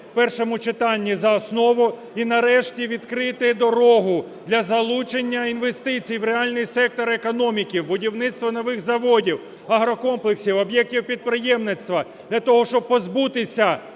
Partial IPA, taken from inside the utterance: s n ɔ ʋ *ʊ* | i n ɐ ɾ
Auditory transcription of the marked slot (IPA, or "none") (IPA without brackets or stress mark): ʊ